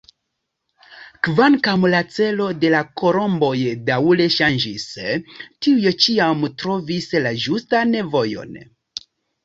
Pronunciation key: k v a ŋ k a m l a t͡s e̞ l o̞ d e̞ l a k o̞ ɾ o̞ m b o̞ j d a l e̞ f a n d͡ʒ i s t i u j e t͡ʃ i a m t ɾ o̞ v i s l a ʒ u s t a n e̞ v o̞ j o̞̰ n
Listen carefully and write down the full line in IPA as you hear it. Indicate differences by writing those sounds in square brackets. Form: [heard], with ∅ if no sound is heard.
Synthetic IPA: k v a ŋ k a m l a t͡s e̞ l o̞ d e̞ l a k o̞ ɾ o̞ m b o̞ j d a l e̞ [ʃ] a n d͡ʒ i s t i u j e t͡ʃ i a m t ɾ o̞ v i s l a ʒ u s t a n e̞ v o̞ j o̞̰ n